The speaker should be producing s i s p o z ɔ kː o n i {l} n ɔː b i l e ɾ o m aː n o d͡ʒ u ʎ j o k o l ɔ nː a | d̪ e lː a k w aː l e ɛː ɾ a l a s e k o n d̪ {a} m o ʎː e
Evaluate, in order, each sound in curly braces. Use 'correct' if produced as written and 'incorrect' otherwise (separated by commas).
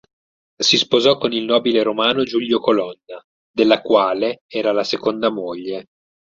correct, correct